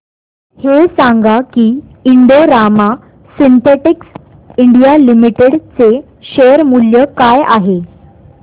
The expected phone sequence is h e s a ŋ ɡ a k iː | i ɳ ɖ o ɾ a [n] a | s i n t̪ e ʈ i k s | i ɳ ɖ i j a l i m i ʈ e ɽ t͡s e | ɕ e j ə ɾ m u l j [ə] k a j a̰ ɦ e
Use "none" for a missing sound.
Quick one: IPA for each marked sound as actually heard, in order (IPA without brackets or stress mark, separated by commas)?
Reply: m, ə